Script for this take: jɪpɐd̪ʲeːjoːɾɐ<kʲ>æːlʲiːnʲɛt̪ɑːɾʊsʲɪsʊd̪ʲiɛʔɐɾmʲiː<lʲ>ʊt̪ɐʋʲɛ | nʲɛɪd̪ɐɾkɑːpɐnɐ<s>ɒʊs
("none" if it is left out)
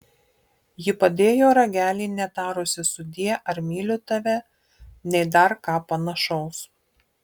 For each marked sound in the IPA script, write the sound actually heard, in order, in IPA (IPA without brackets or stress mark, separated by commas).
ɡʲ, lʲ, ʃ